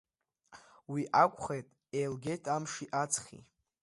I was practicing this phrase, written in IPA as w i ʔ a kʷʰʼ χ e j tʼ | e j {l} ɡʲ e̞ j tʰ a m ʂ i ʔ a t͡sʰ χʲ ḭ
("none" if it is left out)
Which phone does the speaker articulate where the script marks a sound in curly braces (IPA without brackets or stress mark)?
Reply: l